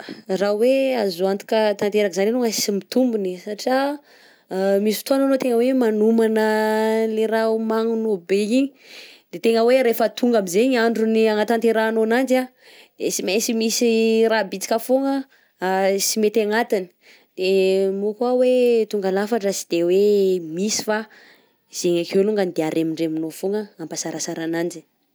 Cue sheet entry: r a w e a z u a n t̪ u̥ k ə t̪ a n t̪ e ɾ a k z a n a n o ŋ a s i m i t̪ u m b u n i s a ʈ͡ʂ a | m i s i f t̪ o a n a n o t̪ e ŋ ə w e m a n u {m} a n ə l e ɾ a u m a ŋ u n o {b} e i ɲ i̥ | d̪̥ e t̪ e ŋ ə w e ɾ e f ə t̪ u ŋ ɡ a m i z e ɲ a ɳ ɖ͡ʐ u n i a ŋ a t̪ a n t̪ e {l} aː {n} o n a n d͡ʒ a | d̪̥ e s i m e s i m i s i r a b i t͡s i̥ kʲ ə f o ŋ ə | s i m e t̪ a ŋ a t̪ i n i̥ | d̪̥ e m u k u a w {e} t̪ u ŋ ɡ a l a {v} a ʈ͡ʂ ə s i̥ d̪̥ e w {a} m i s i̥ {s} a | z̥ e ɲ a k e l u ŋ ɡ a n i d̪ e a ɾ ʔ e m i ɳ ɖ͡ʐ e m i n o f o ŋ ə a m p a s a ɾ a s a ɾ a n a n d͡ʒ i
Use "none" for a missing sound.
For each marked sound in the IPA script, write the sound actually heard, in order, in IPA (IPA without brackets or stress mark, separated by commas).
m, b, ɾ, n, e, f, e, f